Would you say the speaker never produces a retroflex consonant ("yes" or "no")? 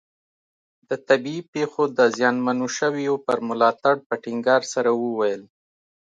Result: no